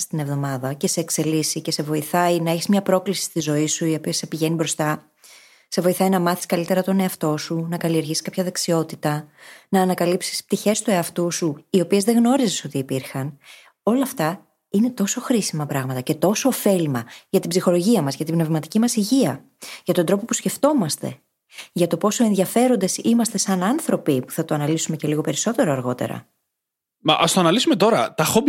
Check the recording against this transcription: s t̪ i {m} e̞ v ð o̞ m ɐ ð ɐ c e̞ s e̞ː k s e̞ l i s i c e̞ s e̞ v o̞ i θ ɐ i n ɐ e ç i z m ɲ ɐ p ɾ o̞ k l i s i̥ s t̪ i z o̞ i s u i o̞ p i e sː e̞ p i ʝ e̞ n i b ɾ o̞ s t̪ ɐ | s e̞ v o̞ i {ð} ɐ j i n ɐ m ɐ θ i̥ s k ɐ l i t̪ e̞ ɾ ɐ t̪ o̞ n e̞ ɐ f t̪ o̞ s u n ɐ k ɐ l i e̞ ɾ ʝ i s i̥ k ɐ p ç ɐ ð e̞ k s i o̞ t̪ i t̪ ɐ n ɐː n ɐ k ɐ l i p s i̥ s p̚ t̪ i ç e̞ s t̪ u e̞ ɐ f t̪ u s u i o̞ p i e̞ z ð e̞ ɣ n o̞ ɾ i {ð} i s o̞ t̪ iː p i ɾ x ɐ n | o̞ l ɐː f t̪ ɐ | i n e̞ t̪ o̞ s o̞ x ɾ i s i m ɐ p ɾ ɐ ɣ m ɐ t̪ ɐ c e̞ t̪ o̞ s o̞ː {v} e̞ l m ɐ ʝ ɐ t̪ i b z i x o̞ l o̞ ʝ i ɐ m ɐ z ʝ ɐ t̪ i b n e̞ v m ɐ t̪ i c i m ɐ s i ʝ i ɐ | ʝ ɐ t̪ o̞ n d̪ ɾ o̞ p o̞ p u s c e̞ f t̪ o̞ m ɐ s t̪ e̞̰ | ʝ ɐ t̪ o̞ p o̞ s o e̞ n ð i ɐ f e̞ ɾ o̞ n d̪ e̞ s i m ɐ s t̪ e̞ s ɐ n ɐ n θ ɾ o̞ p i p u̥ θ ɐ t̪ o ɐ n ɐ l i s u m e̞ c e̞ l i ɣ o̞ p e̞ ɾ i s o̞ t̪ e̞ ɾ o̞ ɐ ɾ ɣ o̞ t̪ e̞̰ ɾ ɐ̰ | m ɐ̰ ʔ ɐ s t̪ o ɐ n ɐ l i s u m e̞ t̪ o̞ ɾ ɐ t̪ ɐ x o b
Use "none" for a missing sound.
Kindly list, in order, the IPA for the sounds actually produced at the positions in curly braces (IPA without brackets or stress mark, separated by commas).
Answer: n, θ, z, f